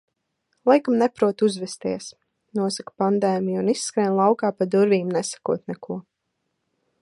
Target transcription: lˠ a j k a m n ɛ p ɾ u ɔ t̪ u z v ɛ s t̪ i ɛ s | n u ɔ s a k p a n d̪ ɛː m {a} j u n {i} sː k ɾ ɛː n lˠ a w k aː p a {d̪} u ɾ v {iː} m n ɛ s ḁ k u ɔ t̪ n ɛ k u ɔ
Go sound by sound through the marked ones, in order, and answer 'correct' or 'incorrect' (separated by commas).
incorrect, correct, correct, correct